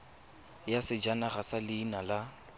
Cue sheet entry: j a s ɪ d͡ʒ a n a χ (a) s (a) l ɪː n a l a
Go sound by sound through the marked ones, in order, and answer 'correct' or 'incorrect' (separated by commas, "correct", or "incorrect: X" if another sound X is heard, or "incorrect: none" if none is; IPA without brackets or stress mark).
correct, correct